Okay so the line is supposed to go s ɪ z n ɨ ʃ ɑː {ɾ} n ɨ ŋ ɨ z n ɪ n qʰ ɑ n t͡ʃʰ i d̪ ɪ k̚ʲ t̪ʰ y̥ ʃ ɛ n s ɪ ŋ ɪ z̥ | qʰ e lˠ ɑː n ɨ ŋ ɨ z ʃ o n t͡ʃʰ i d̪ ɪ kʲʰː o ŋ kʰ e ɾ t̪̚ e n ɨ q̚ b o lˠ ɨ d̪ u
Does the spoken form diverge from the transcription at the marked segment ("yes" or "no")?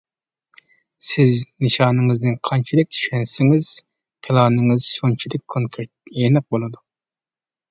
yes